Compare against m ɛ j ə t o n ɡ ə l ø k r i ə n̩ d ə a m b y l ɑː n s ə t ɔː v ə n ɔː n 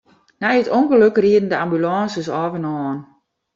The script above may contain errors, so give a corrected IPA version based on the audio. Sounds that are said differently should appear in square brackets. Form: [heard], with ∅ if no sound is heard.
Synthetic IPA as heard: [n] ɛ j ə t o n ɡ ə l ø k r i ə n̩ d ə a m b y l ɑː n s ə [s] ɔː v ə n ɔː n